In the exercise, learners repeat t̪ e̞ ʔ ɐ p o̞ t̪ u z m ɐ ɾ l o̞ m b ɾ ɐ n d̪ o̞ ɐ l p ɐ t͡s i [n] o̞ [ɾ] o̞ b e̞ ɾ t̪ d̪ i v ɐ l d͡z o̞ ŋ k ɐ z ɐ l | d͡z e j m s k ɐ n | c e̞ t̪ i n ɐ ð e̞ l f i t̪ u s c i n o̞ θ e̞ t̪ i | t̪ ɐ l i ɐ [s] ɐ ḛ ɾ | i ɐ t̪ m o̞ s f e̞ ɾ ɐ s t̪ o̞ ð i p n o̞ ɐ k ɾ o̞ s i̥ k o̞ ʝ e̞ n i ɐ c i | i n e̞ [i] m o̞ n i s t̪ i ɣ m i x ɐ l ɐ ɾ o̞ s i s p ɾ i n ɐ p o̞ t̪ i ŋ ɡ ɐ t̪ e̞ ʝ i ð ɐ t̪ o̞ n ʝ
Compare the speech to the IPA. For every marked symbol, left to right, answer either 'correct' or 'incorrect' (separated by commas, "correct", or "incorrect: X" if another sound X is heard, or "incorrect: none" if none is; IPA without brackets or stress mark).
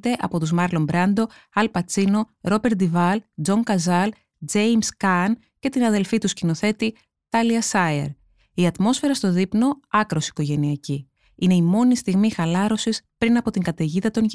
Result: correct, correct, correct, correct